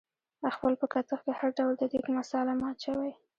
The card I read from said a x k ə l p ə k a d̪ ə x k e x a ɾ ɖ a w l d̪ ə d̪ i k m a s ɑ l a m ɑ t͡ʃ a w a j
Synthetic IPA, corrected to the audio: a x p ə l p ə k a t̪ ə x k e h a ɾ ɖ a w l d̪ ə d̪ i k m a s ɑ l a m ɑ t͡ʃ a w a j